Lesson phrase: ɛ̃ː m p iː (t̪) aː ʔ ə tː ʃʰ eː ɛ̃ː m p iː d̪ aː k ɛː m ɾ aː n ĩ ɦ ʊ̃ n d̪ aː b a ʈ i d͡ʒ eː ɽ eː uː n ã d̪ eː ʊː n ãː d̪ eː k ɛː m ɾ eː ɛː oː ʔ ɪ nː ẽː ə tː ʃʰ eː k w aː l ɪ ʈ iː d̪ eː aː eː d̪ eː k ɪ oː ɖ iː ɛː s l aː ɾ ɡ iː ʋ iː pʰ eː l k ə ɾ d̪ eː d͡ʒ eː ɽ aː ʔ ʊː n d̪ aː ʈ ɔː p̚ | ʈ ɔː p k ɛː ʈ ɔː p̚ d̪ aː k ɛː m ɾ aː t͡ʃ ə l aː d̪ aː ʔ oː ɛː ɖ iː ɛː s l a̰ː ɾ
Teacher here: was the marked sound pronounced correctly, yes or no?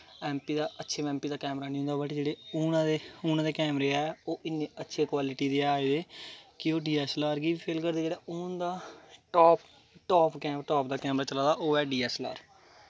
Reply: no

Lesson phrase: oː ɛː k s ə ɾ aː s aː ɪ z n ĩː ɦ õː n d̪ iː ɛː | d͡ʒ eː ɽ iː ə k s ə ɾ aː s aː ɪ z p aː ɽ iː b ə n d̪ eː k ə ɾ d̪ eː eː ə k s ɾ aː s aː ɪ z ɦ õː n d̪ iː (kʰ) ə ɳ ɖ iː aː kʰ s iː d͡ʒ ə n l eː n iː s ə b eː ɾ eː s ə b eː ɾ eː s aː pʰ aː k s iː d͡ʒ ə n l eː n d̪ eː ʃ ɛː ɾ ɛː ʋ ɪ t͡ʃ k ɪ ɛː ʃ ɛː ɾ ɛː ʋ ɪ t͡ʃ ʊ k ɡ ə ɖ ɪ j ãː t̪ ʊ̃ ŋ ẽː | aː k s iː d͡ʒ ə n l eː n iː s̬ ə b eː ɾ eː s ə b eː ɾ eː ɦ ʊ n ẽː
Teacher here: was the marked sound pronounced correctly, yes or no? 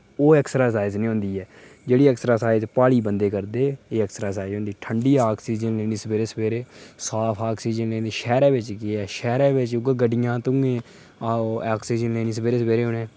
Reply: no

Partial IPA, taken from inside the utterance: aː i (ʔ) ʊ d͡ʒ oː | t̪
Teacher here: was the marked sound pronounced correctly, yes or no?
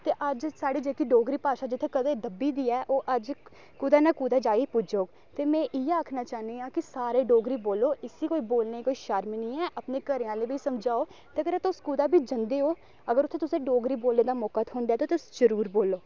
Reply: no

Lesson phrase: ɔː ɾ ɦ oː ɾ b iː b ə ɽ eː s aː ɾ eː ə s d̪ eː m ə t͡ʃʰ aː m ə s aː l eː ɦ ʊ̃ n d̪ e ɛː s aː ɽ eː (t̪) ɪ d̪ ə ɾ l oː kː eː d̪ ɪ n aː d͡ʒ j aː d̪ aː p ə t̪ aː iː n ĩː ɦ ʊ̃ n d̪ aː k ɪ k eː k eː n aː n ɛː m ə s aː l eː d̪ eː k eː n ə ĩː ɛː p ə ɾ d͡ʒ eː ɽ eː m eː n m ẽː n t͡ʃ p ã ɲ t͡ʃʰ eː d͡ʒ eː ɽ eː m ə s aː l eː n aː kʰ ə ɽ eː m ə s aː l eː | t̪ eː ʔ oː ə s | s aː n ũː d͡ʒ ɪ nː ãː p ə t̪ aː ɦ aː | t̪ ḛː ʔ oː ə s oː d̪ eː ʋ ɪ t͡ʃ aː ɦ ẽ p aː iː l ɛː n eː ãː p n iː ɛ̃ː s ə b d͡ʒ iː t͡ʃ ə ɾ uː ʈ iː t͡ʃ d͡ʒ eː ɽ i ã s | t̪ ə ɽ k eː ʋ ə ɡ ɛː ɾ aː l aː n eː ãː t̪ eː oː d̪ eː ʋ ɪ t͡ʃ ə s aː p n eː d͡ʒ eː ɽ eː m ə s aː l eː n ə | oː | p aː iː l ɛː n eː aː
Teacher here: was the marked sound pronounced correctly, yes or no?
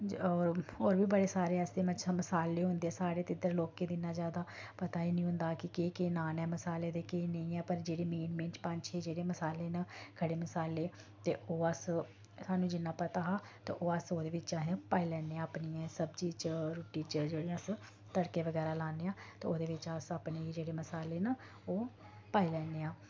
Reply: yes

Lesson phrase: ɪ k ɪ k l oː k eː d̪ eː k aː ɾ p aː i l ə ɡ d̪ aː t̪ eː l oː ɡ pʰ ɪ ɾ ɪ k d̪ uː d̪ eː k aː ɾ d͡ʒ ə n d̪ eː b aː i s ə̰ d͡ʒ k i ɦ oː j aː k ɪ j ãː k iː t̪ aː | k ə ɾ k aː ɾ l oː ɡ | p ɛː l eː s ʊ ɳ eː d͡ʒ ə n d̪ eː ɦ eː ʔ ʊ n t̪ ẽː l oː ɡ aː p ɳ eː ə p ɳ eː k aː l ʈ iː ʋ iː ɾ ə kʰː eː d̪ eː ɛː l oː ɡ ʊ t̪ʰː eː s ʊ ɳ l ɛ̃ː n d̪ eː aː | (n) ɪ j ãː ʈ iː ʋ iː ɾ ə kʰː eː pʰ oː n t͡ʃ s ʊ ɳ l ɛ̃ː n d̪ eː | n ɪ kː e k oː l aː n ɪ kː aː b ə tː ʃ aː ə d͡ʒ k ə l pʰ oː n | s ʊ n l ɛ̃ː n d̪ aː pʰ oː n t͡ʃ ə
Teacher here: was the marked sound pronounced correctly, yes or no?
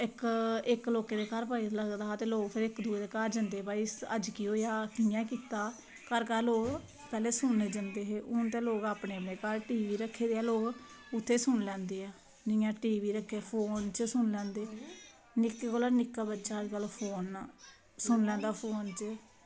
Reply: yes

